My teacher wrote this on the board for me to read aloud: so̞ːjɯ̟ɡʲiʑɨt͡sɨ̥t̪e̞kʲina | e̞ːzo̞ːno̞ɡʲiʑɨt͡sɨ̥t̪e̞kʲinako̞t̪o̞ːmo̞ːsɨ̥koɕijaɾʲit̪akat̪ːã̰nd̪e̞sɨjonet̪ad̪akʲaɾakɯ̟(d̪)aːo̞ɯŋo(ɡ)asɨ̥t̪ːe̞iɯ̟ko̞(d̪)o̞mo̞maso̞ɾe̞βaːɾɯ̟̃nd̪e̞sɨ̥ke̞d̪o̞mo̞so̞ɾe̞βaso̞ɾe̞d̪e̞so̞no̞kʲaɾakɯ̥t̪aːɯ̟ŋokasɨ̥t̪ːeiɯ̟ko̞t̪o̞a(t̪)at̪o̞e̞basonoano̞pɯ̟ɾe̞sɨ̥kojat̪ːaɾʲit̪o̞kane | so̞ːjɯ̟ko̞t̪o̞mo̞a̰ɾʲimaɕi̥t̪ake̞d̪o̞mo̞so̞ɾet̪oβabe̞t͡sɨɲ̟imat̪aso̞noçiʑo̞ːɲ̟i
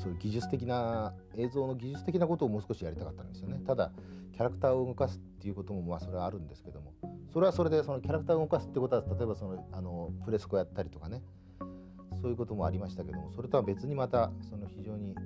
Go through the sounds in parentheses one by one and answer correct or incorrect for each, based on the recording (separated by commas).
incorrect, incorrect, incorrect, correct